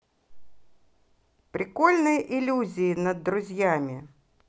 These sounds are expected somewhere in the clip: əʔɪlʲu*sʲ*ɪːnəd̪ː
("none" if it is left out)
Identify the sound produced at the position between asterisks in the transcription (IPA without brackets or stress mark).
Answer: zʲ